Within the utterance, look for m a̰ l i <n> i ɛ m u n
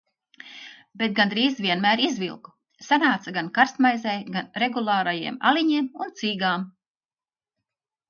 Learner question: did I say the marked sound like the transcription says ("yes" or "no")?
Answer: no